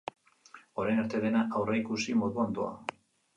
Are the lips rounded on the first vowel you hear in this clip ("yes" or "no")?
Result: yes